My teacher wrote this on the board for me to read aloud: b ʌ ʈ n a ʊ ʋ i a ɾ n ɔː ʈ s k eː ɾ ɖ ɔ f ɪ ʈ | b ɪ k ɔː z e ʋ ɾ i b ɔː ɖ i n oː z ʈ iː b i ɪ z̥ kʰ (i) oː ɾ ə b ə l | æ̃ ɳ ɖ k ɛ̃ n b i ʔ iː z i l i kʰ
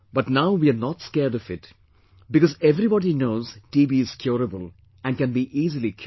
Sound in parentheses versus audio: incorrect: j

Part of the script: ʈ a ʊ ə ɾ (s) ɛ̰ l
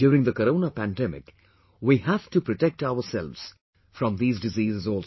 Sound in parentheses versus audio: correct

